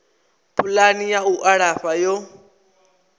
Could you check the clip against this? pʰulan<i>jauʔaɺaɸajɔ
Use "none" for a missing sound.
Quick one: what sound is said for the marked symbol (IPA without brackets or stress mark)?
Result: i